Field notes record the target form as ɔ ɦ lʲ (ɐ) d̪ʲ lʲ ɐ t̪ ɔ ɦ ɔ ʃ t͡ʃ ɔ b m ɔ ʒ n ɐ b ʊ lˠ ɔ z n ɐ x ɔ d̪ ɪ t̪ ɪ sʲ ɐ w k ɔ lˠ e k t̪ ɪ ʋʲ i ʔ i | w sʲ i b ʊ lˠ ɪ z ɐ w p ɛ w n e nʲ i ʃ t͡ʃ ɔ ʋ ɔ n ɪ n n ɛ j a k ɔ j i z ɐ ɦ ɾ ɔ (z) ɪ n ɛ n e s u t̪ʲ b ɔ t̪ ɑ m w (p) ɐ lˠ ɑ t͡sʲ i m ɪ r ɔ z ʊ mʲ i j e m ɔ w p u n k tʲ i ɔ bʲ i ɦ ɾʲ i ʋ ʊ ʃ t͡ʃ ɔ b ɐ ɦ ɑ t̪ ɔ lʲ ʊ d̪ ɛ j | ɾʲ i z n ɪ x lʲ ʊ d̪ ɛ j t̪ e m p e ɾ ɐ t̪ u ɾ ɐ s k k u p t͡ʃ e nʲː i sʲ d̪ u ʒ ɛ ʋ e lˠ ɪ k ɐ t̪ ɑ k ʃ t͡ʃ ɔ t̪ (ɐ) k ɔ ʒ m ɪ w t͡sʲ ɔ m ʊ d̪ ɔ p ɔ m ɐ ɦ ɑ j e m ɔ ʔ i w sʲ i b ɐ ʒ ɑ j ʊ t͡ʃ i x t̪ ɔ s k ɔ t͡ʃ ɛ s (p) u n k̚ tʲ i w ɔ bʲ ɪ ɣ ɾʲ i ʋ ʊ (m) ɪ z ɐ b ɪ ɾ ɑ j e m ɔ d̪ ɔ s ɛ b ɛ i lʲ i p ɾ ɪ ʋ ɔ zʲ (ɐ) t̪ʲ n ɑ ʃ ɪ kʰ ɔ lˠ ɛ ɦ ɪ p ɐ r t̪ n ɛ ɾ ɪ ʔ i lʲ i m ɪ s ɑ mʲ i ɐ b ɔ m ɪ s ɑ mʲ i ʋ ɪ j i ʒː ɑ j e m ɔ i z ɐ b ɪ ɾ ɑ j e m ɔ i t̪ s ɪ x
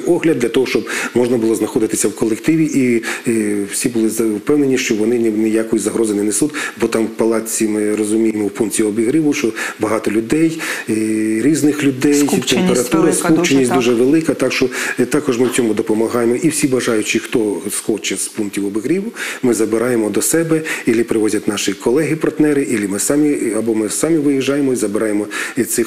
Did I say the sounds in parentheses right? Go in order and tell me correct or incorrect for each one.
correct, correct, correct, incorrect: ɑ, correct, correct, correct

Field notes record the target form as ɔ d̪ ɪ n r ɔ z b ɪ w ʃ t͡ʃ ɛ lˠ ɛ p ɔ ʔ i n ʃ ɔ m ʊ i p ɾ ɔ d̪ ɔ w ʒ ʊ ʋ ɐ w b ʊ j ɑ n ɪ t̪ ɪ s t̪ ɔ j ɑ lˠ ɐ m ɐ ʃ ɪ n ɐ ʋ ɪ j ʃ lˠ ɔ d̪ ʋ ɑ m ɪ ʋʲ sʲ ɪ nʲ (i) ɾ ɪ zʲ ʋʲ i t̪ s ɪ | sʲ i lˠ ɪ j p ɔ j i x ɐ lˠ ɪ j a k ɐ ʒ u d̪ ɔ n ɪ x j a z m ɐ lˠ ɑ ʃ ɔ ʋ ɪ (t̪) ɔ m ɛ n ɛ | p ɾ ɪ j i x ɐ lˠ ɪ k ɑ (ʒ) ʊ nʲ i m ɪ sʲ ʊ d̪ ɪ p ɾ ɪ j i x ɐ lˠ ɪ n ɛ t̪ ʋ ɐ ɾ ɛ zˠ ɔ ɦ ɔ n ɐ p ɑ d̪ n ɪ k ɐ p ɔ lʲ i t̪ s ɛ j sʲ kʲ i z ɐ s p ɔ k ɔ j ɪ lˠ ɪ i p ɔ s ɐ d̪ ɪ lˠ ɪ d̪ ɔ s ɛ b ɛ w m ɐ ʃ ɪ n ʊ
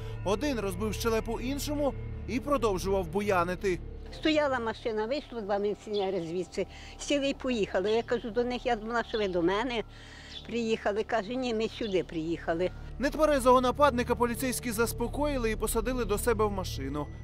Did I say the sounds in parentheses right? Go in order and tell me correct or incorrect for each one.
incorrect: ɛ, incorrect: d̪, correct

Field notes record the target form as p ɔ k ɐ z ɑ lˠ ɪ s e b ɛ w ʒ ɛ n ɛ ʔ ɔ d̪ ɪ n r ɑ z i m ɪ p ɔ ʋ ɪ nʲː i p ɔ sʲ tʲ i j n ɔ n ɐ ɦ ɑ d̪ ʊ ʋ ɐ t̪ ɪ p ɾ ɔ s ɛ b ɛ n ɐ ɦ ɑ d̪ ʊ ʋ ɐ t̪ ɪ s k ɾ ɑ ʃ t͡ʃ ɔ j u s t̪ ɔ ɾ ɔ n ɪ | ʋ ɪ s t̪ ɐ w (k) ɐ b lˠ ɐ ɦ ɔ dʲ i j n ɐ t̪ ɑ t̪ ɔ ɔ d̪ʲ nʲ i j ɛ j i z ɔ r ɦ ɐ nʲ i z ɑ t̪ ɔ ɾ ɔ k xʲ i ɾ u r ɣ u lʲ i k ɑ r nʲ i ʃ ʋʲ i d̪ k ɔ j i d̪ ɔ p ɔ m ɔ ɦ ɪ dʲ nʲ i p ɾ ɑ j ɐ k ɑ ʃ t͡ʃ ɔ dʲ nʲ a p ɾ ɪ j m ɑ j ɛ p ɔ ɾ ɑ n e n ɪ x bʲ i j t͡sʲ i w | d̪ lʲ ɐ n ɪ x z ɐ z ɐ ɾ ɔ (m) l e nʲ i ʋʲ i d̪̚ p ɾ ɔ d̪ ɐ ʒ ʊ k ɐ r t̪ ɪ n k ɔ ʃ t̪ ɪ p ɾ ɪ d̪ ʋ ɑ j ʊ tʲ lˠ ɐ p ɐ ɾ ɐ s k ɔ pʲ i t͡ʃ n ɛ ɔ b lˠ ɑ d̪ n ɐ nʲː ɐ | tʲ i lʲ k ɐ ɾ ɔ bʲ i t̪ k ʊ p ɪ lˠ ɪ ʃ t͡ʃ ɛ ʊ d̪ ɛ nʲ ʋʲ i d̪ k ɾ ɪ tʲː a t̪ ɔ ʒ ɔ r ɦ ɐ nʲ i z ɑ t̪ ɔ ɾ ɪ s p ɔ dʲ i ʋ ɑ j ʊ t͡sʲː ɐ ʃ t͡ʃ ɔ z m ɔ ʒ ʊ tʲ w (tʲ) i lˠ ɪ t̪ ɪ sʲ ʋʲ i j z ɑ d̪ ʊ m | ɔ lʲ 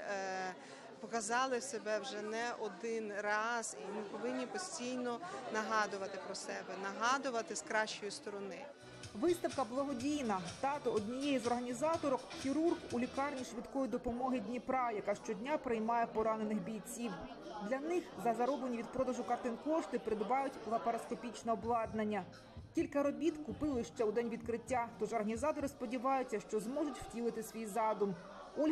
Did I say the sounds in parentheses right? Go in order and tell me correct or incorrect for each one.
correct, incorrect: b, correct

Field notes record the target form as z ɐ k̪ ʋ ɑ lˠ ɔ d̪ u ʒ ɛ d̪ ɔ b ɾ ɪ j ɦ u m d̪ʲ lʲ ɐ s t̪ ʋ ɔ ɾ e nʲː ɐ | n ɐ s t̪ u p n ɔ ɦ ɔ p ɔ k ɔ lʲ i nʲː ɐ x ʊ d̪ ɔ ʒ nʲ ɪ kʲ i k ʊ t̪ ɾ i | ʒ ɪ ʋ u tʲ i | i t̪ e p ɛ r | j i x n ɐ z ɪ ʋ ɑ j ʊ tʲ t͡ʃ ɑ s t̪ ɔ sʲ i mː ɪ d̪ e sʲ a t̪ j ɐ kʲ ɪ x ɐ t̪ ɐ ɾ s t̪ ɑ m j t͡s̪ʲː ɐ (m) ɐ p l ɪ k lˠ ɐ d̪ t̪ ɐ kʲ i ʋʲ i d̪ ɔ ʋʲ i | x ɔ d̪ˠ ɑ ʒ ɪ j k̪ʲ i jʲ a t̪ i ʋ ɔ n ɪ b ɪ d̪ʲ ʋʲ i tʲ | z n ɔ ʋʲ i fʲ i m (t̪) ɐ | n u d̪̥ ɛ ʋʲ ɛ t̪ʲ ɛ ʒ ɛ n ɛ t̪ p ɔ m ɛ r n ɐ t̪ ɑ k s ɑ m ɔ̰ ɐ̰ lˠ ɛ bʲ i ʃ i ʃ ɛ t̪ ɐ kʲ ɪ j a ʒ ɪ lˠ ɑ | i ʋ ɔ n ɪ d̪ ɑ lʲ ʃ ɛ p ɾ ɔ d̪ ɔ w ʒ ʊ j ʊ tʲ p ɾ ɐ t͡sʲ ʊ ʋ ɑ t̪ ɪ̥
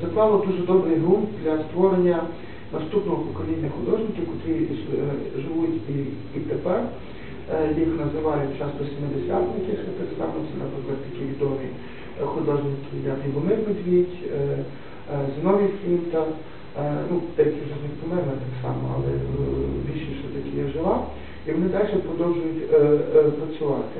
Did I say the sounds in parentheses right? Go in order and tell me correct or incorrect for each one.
incorrect: n, correct

